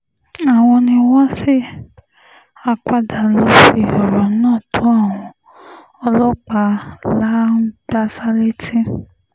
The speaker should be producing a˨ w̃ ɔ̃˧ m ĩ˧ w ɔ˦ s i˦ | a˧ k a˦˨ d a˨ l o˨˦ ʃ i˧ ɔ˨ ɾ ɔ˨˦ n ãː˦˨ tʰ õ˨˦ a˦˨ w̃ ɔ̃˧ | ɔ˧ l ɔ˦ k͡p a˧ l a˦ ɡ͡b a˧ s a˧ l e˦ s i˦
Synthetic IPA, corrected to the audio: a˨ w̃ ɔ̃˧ n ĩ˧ w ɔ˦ s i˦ | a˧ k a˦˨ d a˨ l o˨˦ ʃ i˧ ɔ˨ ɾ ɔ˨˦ n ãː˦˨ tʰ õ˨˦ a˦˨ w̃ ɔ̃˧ | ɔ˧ l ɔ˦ k͡p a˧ l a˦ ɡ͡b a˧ s a˧ l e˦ t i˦

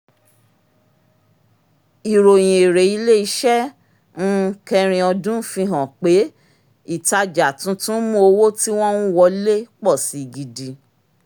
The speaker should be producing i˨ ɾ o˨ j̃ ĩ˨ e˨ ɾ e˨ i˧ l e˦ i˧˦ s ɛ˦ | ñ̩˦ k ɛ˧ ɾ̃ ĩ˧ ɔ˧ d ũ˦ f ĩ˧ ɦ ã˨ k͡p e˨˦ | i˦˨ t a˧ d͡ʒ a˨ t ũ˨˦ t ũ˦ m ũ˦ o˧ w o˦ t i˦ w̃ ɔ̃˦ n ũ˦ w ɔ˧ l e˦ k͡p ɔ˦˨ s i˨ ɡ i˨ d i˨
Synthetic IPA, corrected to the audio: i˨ ɾ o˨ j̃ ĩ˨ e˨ ɾ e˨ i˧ l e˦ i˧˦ ʃ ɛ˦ | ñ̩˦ k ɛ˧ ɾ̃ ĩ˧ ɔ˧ d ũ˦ f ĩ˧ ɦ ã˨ k͡p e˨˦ | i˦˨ t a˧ d͡ʒ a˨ t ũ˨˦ t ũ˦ m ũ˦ o˧ w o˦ t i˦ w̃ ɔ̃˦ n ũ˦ w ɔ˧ l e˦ k͡p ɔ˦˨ s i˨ ɡ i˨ d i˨

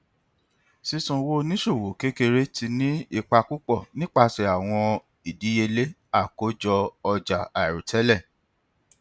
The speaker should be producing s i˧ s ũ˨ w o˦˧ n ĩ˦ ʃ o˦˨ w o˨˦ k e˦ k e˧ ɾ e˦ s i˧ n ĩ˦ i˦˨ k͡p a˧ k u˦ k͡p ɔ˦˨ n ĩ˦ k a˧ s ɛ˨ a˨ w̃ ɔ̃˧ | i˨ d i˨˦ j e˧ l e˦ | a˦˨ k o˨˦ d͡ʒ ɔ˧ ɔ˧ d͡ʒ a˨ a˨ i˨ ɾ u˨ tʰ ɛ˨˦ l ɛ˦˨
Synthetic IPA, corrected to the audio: s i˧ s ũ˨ w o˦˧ n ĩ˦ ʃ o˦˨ w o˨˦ k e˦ k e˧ ɾ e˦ t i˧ n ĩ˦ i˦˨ k͡p a˧ k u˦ k͡p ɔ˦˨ n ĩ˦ k͡p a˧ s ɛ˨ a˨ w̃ ɔ̃˧ | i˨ d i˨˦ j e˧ l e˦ | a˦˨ k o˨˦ d͡ʒ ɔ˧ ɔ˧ d͡ʒ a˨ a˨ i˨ ɾ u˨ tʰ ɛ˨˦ l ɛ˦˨

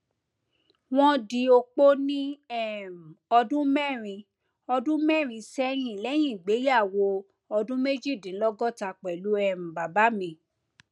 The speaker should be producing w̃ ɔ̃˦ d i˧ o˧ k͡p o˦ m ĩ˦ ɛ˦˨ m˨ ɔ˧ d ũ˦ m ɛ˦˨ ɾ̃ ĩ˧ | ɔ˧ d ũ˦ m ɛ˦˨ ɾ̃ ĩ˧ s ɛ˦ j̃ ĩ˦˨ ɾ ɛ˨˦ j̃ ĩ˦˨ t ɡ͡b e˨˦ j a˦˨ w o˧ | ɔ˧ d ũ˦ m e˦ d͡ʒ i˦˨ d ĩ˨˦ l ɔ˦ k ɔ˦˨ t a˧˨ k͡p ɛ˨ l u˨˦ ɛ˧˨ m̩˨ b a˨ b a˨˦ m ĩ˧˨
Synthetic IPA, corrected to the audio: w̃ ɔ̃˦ d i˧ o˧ k͡p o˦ n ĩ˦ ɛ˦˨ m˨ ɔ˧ d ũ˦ m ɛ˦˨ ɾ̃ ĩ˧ | ɔ˧ d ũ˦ m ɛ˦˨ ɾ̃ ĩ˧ s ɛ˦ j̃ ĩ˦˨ l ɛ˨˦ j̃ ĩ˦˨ ɡ͡b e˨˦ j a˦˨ w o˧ | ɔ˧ d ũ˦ m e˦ d͡ʒ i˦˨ d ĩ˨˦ l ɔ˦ ɡ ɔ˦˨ t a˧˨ k͡p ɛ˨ l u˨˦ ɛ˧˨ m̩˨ b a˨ b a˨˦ m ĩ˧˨

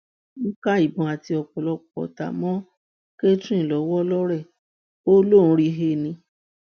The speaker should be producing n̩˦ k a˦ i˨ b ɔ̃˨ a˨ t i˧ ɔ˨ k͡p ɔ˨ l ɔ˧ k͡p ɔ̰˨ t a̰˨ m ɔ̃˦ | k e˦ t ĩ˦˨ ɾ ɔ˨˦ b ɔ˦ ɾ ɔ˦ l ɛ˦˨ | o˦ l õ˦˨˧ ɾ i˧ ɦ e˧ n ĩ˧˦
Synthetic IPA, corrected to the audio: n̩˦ k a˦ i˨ b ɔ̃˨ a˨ t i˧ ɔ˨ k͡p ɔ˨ l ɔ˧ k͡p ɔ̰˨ t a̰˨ m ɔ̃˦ | k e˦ t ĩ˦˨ l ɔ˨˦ w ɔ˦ l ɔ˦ ɾ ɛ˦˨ | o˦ l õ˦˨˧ ɾ i˧ ɦ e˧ n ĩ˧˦

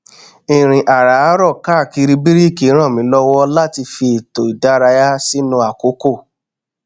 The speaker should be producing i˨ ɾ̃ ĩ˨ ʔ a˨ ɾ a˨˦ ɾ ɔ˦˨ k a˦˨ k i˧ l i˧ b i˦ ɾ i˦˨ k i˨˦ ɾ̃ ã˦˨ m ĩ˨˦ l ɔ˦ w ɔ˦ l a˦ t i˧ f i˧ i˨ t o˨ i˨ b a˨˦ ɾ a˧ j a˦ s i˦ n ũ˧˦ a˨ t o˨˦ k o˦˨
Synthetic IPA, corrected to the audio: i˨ ɾ̃ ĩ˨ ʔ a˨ ɾ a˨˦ ɾ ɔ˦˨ k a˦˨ k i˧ ɾ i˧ b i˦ ɾ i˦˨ k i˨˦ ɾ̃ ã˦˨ m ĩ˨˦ l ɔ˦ w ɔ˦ l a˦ t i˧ f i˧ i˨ t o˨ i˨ d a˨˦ ɾ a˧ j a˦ s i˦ n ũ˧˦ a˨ k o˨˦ k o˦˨

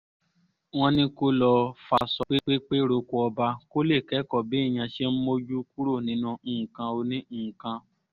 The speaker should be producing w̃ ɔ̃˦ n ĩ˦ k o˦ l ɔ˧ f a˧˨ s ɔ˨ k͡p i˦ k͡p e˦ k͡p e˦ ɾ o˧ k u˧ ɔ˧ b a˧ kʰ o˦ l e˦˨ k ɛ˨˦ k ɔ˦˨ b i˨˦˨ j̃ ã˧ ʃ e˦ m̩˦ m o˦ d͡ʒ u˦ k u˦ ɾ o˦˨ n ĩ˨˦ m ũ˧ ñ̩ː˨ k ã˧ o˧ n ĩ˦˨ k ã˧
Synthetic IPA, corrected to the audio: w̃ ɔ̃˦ n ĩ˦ k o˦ l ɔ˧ f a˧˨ s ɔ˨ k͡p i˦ k͡p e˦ k͡p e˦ ɾ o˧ k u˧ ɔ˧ b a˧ k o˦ l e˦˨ k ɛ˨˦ k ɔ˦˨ b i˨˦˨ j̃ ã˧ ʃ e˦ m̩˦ m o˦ d͡ʒ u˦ k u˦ ɾ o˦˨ n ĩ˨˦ n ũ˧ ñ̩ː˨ k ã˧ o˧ n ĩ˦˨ k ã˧

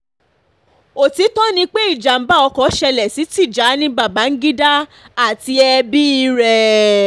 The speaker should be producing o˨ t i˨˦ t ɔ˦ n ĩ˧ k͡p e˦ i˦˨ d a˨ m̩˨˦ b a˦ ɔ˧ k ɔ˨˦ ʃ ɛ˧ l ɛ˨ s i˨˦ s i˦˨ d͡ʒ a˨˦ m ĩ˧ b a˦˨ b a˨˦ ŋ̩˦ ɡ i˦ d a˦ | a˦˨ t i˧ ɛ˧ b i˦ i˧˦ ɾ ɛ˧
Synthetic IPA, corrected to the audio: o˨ t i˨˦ t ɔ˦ n ĩ˧ k͡p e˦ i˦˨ d͡ʒ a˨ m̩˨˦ b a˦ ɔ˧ k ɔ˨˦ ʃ ɛ˧ l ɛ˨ s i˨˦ t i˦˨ d͡ʒ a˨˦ n ĩ˧ b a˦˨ b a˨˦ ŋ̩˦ ɡ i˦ d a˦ | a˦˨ t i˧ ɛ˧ b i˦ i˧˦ ɾ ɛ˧

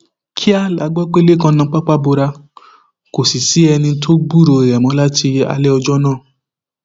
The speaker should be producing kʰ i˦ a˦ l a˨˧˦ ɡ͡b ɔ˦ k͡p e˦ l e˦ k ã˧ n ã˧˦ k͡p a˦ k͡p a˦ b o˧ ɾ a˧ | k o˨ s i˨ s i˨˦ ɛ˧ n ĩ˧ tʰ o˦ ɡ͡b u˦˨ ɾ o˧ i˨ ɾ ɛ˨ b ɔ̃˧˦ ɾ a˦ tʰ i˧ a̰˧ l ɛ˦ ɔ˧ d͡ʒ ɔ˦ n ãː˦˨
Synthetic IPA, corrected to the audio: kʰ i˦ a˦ l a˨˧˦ ɡ͡b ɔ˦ k͡p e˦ l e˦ k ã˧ n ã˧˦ k͡p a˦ k͡p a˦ b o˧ ɾ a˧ | k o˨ s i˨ s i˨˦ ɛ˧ n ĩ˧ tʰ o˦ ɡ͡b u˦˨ ɾ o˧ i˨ ɾ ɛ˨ m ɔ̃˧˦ l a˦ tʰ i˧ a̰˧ l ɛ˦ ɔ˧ d͡ʒ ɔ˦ n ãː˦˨

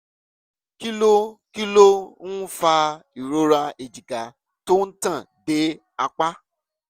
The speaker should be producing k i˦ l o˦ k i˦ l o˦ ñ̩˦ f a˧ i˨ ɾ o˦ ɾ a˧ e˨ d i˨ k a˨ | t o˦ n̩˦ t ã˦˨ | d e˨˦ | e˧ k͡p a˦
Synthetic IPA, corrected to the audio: k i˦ l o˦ k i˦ l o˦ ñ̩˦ f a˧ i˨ ɾ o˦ ɾ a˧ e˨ d͡ʒ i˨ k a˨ | t o˦ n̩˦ t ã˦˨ | d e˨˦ | a˧ k͡p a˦

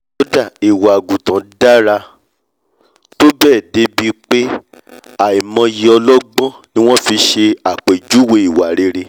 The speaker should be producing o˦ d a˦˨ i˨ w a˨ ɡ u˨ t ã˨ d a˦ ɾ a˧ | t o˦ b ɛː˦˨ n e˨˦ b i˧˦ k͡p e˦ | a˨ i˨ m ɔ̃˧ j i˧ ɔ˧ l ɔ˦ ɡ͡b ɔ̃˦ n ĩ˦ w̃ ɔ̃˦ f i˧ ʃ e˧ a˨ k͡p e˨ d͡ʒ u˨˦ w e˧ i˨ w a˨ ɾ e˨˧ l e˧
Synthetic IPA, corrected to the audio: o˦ d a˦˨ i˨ w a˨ ɡ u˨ t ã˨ d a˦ ɾ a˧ | t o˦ b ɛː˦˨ d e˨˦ b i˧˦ k͡p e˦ | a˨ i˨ m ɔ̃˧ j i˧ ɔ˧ l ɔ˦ ɡ͡b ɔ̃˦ n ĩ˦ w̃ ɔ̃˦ f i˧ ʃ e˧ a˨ k͡p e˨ d͡ʒ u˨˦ w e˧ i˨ w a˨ ɾ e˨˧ ɾ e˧

